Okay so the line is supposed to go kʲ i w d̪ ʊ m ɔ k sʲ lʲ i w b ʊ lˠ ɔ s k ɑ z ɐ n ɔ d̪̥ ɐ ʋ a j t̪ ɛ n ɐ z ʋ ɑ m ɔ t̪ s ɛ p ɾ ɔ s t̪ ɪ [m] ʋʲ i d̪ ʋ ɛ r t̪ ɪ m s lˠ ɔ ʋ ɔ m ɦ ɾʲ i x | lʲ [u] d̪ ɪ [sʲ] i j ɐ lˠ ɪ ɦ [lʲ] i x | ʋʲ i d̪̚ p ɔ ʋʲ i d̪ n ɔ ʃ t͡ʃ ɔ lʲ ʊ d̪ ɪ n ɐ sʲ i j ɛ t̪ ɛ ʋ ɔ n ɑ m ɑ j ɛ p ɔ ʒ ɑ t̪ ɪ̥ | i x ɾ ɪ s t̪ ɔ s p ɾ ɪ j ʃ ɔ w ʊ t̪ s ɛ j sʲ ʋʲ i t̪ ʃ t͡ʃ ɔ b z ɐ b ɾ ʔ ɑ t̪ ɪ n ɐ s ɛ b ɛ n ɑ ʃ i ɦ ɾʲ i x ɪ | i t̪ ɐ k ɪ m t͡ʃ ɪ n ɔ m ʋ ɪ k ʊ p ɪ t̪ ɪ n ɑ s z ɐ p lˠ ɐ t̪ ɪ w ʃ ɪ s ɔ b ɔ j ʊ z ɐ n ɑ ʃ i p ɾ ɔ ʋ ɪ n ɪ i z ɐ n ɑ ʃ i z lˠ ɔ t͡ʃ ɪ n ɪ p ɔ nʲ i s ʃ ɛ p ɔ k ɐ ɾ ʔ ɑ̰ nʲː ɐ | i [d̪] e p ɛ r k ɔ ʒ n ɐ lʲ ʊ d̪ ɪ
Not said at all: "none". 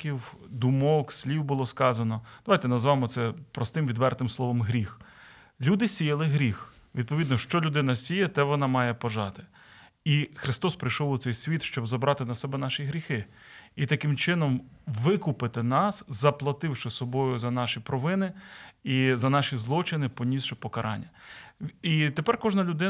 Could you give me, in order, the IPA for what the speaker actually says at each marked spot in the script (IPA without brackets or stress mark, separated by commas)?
m, u, sʲ, ɾʲ, t̪